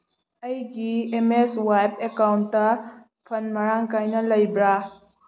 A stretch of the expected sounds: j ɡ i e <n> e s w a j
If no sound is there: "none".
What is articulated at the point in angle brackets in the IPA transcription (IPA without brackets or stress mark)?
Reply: m